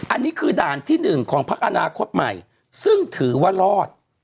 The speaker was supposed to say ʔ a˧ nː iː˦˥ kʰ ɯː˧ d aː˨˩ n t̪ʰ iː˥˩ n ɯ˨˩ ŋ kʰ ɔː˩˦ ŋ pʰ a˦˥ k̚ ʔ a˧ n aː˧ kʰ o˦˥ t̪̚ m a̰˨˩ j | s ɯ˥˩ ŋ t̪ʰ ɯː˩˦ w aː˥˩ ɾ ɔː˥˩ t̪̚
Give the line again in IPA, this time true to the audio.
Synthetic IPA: ʔ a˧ nː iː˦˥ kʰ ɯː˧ d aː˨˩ n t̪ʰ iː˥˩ n ɯ˨˩ ŋ kʰ ɔː˩˦ ŋ pʰ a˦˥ k̚ ʔ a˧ n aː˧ kʰ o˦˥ t̪̚ m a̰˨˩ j | s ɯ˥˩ ŋ t̪ʰ ɯː˩˦ w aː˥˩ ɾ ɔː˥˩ t̪̚